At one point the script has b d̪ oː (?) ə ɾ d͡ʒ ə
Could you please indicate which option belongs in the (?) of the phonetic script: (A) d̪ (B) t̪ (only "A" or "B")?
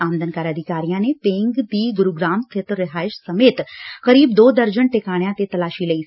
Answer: A